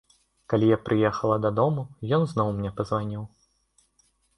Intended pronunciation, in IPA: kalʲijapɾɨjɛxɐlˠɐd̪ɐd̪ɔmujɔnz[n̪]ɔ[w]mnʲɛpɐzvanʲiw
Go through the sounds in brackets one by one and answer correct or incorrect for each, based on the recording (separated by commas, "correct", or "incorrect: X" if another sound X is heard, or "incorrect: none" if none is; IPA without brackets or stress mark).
correct, correct